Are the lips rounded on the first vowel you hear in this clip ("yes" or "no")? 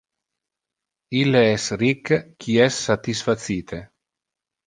no